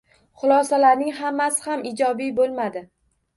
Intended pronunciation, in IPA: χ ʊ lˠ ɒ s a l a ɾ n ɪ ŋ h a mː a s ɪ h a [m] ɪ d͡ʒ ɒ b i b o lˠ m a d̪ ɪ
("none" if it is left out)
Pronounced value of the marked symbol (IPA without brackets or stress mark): m